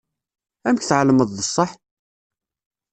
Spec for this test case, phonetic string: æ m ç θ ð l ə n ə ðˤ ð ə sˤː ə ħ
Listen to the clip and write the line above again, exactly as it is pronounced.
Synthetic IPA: æ m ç θ ʕ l ə m ə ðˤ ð ə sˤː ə ħ